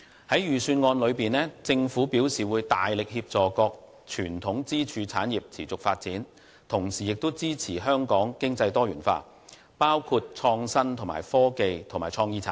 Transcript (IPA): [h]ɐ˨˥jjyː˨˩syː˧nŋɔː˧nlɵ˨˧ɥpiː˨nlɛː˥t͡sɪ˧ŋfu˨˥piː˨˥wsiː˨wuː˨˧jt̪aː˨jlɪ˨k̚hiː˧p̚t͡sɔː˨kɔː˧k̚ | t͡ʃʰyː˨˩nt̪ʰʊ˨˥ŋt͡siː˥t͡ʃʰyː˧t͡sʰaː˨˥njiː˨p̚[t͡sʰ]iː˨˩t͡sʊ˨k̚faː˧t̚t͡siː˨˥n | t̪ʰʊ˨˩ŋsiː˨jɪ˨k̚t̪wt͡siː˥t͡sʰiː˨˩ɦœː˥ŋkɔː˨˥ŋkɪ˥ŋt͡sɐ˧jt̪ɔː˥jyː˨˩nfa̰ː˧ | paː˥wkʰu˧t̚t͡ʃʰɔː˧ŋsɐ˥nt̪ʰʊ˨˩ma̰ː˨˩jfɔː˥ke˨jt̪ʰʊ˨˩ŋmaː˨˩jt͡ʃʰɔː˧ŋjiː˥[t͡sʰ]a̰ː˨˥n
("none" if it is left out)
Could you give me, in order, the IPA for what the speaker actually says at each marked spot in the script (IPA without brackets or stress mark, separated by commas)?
h, t͡sʰ, t͡sʰ